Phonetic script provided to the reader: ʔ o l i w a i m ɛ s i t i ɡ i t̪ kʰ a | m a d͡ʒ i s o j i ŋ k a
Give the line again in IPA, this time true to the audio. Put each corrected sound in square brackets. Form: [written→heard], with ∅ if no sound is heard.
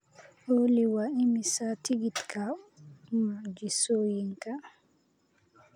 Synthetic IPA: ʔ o l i w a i m [ɛ→i] s [i→a] t i ɡ i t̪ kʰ a | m a d͡ʒ i s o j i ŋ k a